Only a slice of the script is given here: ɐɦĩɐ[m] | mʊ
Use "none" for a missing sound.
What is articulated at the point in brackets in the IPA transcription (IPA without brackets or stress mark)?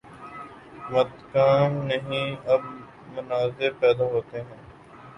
b